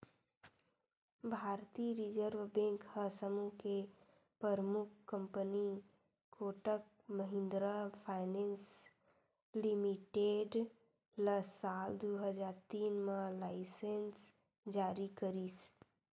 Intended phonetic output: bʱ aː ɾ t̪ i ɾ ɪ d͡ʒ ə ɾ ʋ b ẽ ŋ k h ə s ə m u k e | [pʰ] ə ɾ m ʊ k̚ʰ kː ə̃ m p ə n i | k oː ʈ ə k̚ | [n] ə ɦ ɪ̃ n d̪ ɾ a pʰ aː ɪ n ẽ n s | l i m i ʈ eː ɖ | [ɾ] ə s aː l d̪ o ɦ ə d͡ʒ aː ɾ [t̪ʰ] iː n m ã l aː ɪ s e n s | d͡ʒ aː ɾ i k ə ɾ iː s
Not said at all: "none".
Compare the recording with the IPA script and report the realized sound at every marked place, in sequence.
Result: p, m, l, t̪

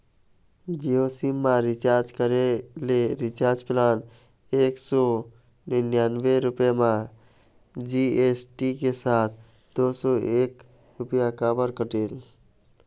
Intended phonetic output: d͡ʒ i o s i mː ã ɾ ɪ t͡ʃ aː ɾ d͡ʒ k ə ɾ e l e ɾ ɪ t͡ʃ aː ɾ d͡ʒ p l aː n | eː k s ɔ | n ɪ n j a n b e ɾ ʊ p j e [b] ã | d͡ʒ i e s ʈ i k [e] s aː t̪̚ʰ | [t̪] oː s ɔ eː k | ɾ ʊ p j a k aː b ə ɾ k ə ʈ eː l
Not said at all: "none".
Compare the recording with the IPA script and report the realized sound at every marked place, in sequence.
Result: m, e, d̪

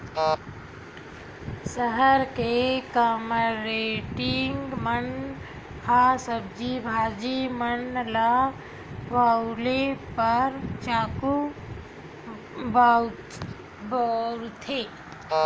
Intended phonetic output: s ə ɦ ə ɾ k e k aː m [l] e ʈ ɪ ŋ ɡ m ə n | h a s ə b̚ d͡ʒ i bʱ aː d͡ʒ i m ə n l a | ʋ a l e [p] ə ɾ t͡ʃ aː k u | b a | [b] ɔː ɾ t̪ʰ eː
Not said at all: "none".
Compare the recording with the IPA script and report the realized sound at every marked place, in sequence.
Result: ɾ, p, b

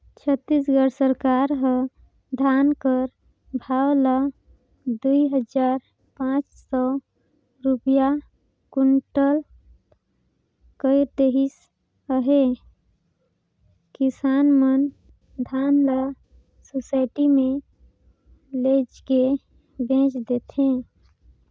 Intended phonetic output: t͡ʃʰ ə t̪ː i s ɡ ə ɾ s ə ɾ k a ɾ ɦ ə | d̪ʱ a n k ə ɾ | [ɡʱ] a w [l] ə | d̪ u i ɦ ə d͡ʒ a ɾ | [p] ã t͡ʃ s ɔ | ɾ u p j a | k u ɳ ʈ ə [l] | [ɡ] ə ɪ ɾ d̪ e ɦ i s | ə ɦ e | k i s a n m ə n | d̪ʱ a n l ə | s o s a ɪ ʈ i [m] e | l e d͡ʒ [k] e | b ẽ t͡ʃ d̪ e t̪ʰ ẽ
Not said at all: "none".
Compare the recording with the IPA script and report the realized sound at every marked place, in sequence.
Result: bʱ, l, p, l, k, m, k

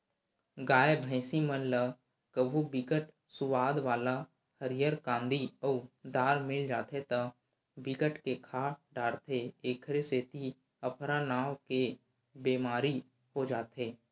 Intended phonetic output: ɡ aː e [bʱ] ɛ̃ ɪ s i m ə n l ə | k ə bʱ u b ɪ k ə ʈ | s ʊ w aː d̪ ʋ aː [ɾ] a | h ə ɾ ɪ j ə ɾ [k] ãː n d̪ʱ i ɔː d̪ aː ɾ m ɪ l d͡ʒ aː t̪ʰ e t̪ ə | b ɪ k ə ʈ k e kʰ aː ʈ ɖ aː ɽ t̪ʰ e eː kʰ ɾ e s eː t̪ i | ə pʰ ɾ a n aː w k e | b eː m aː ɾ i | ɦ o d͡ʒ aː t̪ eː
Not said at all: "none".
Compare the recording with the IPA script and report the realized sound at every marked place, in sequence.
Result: bʱ, l, k

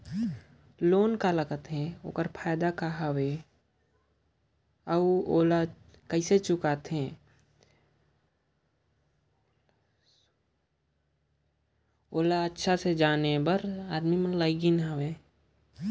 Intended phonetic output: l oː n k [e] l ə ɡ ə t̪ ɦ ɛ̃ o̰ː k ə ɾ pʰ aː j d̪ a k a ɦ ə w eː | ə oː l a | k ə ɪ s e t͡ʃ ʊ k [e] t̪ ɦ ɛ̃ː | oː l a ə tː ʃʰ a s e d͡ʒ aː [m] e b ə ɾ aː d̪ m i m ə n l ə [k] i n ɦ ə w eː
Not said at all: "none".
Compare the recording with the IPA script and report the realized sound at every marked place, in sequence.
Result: a, a, n, ɡ

